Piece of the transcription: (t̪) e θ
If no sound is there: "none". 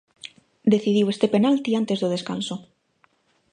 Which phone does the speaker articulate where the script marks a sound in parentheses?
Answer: d̪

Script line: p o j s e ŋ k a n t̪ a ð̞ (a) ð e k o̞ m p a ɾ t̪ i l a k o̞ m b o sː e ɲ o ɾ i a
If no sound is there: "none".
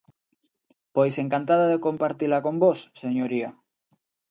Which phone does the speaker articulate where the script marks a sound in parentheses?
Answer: a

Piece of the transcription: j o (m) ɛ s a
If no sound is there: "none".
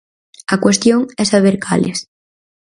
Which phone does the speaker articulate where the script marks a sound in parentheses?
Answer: ŋ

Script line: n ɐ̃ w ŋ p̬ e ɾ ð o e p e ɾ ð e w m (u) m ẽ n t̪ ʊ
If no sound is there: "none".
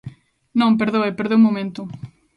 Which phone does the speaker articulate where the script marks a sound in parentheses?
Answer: o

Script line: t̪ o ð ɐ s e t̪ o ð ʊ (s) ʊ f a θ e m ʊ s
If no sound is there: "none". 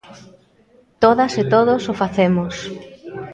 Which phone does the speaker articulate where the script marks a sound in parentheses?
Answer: s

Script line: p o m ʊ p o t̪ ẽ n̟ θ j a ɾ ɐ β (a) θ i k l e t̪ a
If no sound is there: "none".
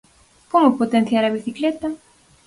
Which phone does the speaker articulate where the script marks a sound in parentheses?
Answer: i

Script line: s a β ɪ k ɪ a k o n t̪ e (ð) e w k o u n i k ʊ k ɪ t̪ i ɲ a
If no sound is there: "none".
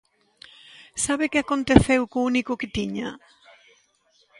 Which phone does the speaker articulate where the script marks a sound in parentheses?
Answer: θ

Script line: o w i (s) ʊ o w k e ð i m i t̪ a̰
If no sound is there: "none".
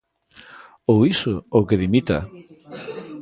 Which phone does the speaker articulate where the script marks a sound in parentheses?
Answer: s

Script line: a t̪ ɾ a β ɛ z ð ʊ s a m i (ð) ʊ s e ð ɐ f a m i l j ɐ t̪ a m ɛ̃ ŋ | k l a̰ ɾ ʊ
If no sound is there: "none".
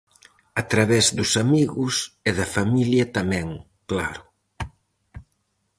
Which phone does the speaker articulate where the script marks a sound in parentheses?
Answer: ɣ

